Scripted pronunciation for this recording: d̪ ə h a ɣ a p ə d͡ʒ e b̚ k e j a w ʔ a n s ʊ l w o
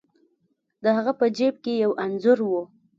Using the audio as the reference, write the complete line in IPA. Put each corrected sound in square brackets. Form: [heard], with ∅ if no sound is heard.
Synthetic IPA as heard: d̪ ə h a ɣ a p ə d͡ʒ e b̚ k e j a w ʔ a n [z] ʊ [ɾ] w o